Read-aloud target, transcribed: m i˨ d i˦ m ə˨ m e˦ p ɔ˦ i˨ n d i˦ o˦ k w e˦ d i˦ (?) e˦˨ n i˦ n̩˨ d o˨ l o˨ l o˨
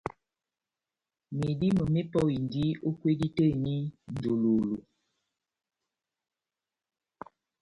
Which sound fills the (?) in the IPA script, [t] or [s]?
t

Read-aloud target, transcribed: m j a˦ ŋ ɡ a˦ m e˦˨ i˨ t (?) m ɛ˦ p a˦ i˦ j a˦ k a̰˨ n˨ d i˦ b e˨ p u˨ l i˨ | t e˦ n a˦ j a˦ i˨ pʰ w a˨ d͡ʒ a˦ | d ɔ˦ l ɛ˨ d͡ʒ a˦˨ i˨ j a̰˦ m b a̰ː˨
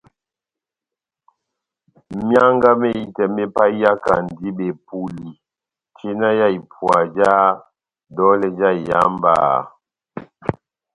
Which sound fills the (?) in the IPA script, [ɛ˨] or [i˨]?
ɛ˨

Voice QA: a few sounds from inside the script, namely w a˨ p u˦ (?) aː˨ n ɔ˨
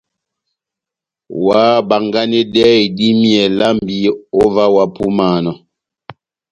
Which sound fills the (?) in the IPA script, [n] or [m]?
m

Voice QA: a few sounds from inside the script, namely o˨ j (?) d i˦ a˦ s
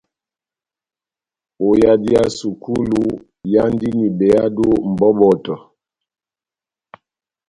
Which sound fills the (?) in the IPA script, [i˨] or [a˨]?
a˨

